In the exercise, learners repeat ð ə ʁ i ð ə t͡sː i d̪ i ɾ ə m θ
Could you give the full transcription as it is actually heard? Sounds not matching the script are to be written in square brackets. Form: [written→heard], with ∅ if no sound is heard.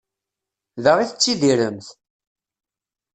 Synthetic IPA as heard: ð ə ʁ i [ð→θ] ə t͡sː i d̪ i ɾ ə m θ

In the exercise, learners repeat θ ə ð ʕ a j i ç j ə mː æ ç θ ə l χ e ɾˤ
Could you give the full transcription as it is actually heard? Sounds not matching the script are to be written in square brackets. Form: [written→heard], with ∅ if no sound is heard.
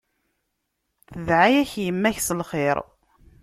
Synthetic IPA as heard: θ ə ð ʕ a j [i→æ] ç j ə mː æ ç [θ→s] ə l χ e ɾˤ

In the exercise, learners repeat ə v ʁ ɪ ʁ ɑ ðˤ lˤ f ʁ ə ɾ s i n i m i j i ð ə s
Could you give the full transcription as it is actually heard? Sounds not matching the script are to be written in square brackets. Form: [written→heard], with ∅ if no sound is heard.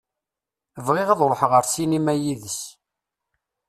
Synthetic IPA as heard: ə v ʁ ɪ ʁ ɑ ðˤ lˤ [f→ħ] ʁ ə ɾ s i n i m [i→æ] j i ð ə s

